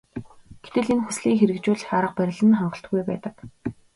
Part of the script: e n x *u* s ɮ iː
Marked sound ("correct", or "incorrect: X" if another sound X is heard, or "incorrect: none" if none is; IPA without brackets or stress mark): correct